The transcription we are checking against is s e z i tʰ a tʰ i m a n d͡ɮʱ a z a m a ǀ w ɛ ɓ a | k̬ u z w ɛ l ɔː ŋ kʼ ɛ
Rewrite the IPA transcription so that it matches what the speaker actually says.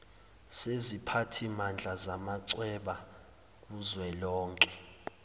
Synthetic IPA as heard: s e z i pʰ a tʰ i m a n d͡ɮʱ a z a m a ǀ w ɛ ɓ a | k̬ u z w ɛ l ɔː ŋ kʼ ɛ